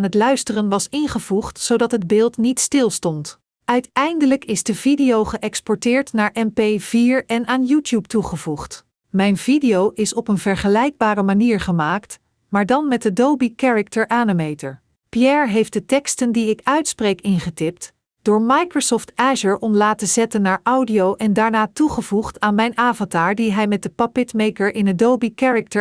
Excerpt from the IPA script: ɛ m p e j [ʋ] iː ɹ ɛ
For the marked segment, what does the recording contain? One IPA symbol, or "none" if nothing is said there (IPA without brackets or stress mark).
v